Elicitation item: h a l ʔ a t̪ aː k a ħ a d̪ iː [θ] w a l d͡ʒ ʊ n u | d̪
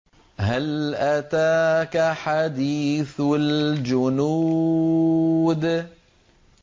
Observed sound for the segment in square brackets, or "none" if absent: θ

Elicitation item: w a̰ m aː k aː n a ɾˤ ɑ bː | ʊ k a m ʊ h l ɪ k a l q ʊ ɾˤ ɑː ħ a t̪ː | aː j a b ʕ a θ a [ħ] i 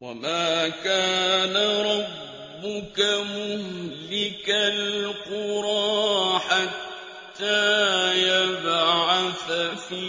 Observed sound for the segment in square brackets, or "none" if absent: f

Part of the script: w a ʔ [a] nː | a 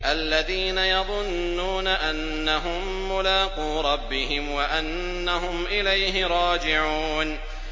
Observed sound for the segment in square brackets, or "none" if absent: a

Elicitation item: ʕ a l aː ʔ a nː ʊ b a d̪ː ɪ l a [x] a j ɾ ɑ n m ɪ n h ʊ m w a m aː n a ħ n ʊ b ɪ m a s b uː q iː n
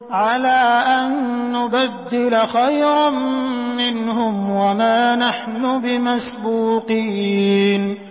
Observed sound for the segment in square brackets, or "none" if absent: x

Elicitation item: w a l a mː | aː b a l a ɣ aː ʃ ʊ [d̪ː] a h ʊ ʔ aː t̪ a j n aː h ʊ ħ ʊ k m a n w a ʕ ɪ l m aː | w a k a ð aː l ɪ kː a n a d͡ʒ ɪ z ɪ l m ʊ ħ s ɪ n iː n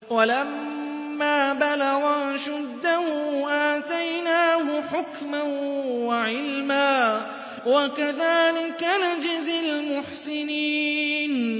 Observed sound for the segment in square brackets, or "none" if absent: d̪ː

